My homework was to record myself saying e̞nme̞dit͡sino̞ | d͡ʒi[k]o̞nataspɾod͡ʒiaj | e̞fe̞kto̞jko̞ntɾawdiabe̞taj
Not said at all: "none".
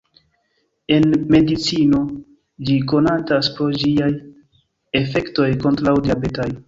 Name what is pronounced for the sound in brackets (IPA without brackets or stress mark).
k